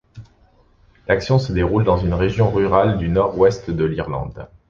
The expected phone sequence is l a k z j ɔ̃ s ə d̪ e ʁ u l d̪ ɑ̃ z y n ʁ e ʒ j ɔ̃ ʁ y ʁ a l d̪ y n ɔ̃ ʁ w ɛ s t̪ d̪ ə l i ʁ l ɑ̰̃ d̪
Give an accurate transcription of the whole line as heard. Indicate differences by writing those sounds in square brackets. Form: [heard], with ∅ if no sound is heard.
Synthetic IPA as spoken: l a k [s] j ɔ̃ s ə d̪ e ʁ u l d̪ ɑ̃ z y n ʁ e ʒ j ɔ̃ ʁ y ʁ a l d̪ y n [ɔ] ʁ w ɛ s t̪ d̪ ə l i ʁ l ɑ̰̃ d̪